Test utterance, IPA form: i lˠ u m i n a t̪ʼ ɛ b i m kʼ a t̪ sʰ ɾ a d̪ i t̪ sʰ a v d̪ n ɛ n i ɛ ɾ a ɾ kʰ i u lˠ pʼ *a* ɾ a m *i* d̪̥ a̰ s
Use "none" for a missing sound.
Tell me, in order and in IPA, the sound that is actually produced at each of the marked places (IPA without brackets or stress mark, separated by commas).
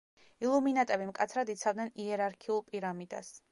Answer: i, i